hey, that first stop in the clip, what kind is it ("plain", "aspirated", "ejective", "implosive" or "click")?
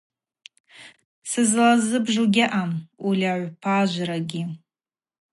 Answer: plain